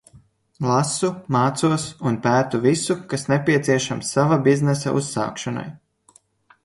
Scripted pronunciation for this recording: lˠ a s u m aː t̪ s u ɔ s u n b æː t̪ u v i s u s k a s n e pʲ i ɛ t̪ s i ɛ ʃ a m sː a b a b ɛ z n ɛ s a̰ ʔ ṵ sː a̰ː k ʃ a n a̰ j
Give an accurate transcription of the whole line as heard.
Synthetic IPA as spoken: lˠ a s u m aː t̪ s u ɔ s u n p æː t̪ u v i s u k a s n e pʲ i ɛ t̪ s i ɛ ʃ a m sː a v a b i z n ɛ s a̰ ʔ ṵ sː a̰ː k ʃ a n a̰ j